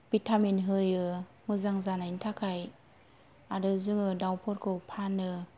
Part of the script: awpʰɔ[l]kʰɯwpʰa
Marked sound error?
yes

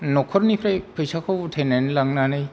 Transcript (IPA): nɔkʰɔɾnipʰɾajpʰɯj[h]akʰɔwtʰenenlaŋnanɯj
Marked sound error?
yes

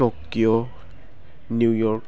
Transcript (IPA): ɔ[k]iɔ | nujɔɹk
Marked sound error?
no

